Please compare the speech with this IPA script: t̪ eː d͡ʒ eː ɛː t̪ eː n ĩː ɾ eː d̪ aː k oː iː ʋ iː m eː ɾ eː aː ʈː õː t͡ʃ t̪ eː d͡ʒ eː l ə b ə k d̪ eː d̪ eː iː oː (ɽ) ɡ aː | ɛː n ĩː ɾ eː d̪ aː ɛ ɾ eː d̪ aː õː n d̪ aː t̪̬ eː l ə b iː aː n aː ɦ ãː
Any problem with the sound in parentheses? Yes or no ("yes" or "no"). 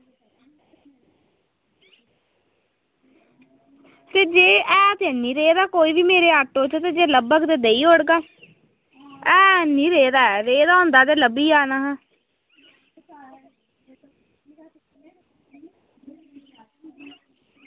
no